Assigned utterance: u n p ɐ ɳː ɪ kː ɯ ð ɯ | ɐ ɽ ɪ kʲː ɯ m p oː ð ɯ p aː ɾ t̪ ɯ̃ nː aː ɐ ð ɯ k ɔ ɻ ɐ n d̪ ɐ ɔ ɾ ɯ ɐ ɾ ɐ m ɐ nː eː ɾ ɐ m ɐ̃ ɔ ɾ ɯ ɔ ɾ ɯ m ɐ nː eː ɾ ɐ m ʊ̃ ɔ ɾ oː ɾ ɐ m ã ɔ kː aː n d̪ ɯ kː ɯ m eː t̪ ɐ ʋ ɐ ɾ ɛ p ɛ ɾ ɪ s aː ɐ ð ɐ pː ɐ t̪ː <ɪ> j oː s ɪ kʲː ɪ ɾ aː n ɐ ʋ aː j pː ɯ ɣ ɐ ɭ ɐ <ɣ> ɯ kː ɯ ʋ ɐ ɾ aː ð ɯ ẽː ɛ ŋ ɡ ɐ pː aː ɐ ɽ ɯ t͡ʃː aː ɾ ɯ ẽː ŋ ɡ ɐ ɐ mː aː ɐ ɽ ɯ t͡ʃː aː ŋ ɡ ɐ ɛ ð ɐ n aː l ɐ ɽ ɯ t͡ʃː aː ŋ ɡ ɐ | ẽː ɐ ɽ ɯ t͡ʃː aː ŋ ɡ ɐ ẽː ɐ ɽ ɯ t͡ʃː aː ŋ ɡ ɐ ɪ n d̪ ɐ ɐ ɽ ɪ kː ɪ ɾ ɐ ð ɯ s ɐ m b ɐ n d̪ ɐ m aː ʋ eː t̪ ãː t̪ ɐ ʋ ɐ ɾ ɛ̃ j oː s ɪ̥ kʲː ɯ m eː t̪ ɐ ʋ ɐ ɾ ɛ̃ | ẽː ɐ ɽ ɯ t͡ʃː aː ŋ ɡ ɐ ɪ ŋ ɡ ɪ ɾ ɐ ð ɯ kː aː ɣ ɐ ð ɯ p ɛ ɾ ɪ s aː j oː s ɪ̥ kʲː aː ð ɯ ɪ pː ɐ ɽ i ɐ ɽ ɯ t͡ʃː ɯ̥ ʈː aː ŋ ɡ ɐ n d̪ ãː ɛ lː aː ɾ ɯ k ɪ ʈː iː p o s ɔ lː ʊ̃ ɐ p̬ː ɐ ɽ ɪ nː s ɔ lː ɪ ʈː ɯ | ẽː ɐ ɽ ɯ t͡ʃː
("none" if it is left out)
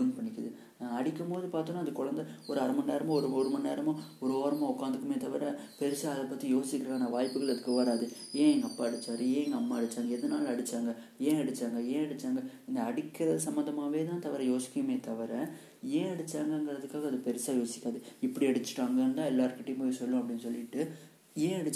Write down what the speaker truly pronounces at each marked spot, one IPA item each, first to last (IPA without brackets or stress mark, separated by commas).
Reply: i, ð